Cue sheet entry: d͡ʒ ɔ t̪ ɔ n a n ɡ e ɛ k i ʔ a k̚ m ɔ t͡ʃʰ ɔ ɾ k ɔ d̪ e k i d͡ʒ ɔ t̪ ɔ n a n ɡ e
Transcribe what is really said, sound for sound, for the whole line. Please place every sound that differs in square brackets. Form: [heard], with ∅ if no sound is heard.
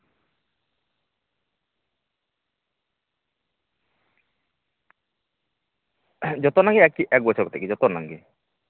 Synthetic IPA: d͡ʒ ɔ t̪ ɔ n a [ŋ] ɡ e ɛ k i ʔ [ɛ] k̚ [b] ɔ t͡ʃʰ ɔ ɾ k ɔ [t̪] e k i d͡ʒ ɔ t̪ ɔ n a [ŋ] ɡ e